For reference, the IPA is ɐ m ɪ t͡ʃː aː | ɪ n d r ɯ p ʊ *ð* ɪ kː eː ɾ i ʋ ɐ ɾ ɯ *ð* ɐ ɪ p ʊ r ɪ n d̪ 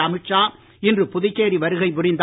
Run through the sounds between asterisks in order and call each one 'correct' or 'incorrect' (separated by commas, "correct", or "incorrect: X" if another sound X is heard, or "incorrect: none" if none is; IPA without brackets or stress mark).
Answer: correct, incorrect: ɣ